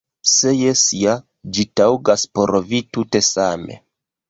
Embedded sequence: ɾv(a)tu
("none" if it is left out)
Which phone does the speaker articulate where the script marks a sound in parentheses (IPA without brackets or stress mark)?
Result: i